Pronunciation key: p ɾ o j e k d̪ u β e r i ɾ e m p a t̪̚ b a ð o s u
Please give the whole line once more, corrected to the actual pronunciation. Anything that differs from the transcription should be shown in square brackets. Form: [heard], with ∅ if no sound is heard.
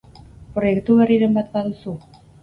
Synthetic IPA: p ɾ o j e k [t̪] u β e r i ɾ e m [b] a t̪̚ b a ð [u] s u

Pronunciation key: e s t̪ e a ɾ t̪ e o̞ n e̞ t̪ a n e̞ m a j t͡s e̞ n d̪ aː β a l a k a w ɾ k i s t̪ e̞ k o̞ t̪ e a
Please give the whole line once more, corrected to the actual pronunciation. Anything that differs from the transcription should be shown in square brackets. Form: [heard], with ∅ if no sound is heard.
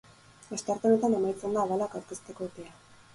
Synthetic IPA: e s t̪ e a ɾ t̪ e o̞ n e̞ t̪ a n e̞ m a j t͡s e̞ n d̪ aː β a l a k a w ɾ k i s t̪ e̞ k o̞ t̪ e a

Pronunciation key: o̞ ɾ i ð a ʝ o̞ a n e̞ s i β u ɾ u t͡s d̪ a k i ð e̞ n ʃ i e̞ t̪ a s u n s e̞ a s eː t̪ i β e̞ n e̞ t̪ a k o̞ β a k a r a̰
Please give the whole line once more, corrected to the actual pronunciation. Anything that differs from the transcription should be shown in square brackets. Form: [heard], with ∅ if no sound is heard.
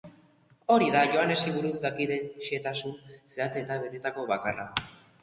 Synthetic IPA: o̞ ɾ i ð a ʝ o̞ a n e̞ s i β u ɾ u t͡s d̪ a k i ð e̞ n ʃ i e̞ t̪ a s u n s e̞ a [t͡s] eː t̪ [a] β e̞ n e̞ t̪ a k o̞ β a k a r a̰

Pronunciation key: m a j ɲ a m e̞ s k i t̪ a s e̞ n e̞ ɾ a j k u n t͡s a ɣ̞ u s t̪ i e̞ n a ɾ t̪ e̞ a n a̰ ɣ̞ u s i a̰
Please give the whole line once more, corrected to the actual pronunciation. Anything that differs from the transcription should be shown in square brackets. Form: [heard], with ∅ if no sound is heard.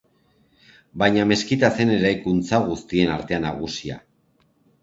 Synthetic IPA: [b] a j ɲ a m e̞ s k i t̪ a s e̞ n e̞ ɾ a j k u n t͡s a ɣ̞ u s t̪ i e̞ n a ɾ t̪ e̞ a n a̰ ɣ̞ u s i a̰

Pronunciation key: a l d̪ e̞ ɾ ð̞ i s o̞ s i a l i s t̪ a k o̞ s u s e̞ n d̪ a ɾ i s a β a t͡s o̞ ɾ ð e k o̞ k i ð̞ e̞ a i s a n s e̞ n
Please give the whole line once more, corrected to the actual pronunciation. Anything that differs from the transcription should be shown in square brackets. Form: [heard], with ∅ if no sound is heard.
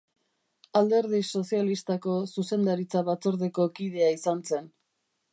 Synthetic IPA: a l d̪ e̞ ɾ ð̞ i s o̞ s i a l i s t̪ a k o̞ s u s e̞ n d̪ a ɾ i [t͡s] a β a t͡s o̞ ɾ ð e k o̞ k i ð̞ e̞ a i s a n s e̞ n

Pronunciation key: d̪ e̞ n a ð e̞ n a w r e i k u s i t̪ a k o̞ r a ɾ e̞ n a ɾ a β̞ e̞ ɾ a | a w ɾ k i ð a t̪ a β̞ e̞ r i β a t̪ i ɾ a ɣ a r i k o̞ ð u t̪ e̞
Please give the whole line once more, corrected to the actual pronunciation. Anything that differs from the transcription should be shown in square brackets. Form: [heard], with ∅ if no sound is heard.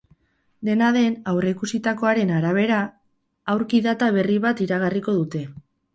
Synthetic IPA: d̪ e̞ n a ð e̞ n a w r e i k u s i t̪ a k o̞ [∅] a ɾ e̞ n a ɾ a β̞ e̞ ɾ a | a w ɾ k i ð a t̪ a β̞ e̞ r i β a t̪ i ɾ a ɣ a r i k o̞ ð u t̪ e̞

